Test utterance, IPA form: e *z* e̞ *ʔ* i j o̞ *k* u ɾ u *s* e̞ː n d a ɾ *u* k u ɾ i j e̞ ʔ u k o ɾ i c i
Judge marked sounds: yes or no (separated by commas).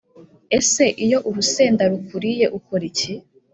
no, yes, no, yes, yes